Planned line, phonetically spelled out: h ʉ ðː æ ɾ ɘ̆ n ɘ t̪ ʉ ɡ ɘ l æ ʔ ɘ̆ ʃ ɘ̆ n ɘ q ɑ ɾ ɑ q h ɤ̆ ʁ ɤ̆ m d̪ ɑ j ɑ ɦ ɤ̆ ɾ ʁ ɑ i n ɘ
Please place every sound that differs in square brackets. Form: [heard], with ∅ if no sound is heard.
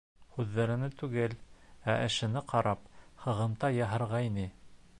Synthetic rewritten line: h ʉ ðː æ ɾ ɘ̆ n ɘ t̪ ʉ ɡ ɘ l æ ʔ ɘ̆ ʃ ɘ̆ n ɘ q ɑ ɾ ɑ [p] h ɤ̆ ʁ ɤ̆ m [t̪] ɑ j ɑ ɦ ɤ̆ ɾ ʁ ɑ i n ɘ